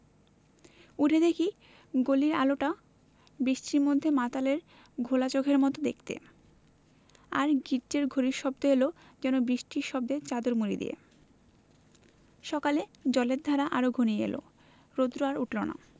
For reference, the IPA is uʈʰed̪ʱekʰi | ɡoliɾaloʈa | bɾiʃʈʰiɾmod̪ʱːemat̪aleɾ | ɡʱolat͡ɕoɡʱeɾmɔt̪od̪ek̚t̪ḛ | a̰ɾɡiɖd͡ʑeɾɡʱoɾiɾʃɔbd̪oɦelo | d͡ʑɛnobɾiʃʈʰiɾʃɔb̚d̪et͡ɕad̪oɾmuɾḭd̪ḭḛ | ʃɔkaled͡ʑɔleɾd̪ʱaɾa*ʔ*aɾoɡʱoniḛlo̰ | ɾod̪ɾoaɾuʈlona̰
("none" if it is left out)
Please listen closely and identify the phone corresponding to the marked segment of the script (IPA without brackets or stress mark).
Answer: ʔ